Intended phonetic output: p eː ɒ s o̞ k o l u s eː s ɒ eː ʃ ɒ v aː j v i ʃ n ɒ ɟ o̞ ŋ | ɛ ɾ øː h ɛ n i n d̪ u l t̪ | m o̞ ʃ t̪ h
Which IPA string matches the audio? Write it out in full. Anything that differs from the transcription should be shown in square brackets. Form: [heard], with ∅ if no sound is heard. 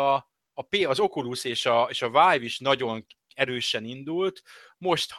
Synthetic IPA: p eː ɒ [z] o̞ k [u] l u s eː [ʃ] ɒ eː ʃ ɒ v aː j v i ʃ n ɒ ɟ o̞ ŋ | ɛ ɾ øː [ʃ] ɛ n i n d̪ u l t̪ | m o̞ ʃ t̪ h